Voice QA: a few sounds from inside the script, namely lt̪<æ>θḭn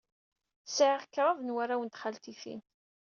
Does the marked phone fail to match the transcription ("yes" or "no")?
yes